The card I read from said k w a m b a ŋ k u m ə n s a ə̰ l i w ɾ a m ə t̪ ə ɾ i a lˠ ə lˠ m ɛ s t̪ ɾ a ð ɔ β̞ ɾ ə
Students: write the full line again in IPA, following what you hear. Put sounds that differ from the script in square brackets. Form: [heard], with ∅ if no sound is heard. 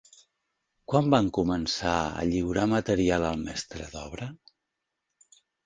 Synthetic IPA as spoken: k w a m b a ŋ k u m ə n s a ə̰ [ʎ] i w ɾ a m ə t̪ ə ɾ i a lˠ ə lˠ m ɛ s t̪ ɾ [ə] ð ɔ β̞ ɾ ə